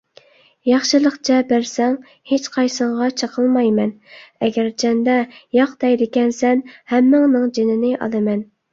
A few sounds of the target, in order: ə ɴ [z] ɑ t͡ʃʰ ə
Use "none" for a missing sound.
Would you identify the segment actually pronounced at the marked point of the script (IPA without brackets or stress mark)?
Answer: ʁ